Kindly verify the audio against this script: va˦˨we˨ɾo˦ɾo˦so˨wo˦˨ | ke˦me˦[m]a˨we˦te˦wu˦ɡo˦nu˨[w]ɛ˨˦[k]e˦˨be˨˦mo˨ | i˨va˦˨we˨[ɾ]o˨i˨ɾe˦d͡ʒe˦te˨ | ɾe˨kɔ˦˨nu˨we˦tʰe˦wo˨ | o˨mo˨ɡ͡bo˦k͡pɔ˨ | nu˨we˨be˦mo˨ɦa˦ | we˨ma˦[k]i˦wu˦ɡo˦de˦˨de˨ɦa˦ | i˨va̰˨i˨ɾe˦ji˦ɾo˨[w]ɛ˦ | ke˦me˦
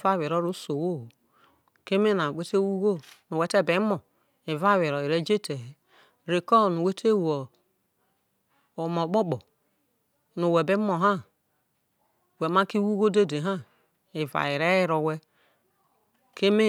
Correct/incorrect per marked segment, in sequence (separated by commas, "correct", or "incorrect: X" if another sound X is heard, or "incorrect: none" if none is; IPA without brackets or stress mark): incorrect: n, correct, incorrect: t, correct, correct, correct